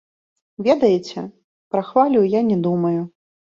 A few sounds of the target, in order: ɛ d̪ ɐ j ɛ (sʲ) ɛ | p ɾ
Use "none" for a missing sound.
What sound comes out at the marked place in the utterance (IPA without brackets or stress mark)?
t͡sʲ